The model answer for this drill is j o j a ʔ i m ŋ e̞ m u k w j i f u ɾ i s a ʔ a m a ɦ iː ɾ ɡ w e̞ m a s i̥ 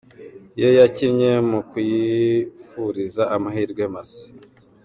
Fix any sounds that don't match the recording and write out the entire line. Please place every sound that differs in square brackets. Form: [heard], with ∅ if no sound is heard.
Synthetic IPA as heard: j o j a [c] i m [ɲ] e̞ m u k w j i f u ɾ i [z] a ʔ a m a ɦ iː ɾ ɡ w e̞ m a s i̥